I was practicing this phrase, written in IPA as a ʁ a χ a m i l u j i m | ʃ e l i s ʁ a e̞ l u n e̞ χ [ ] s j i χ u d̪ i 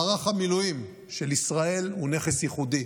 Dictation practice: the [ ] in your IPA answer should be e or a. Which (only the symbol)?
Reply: e